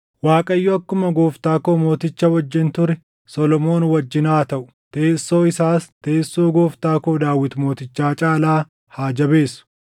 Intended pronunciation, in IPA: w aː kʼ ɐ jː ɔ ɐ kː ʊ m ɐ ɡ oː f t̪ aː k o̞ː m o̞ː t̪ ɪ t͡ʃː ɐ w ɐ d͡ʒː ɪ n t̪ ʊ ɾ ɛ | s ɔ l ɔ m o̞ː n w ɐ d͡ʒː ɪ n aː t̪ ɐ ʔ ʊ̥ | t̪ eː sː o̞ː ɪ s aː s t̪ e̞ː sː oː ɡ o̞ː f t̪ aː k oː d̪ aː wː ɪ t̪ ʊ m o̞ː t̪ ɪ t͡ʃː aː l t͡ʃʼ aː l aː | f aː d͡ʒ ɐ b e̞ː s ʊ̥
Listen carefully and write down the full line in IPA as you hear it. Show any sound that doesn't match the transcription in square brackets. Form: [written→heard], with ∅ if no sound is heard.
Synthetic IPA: w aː kʼ ɐ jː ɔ ɐ kː ʊ m ɐ ɡ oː f t̪ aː k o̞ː m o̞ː t̪ ɪ t͡ʃː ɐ w ɐ d͡ʒː ɪ n t̪ ʊ ɾ ɛ | s ɔ l ɔ m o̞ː n w ɐ d͡ʒː ɪ n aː t̪ ɐ ʔ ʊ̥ | t̪ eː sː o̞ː ɪ s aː s t̪ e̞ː sː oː ɡ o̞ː f t̪ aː k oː d̪ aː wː ɪ t̪ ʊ m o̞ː t̪ ɪ t͡ʃː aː [l→∅] t͡ʃʼ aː l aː | [f→h] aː d͡ʒ ɐ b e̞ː s ʊ̥

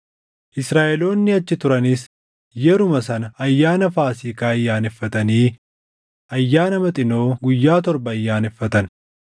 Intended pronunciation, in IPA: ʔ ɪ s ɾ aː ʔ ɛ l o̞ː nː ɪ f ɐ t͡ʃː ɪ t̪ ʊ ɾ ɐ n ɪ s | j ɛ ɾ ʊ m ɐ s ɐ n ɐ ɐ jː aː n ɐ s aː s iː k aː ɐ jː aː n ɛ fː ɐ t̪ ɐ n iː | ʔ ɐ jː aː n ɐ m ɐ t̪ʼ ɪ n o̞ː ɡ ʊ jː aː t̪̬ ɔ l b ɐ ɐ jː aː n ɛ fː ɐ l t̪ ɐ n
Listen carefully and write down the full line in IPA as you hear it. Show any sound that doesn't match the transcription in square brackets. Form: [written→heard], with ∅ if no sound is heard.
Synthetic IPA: ʔ ɪ s ɾ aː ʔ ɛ l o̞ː nː ɪ [f→∅] ɐ t͡ʃː ɪ t̪ ʊ ɾ ɐ n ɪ s | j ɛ ɾ ʊ m ɐ s ɐ n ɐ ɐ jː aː n ɐ [s→f] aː s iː k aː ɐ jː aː n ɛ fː ɐ t̪ ɐ n iː | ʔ ɐ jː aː n ɐ m ɐ t̪ʼ ɪ n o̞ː ɡ ʊ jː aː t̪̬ ɔ [l→ɾ] b ɐ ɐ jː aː n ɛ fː ɐ [l→∅] t̪ ɐ n

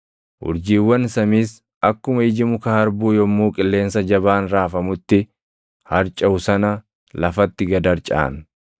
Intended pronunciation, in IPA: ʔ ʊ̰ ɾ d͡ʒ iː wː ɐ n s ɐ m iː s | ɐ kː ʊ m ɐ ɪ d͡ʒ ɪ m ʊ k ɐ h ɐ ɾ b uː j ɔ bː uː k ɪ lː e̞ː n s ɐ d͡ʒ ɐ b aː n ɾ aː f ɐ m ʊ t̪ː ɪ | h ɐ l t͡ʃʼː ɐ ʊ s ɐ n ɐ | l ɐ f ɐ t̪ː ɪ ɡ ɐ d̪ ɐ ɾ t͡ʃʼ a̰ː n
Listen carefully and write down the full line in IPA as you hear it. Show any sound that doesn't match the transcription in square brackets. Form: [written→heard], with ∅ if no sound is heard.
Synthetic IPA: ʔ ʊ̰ ɾ d͡ʒ iː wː ɐ n s ɐ m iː s | ɐ kː ʊ m ɐ ɪ d͡ʒ ɪ m ʊ k ɐ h ɐ ɾ b uː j ɔ [bː→mː] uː [k→kʼ] ɪ lː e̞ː n s ɐ d͡ʒ ɐ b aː n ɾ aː f ɐ m ʊ t̪ː ɪ | h ɐ [l→ɾ] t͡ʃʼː ɐ ʊ s ɐ n ɐ | l ɐ f ɐ t̪ː ɪ ɡ ɐ d̪ ɐ ɾ t͡ʃʼ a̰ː n

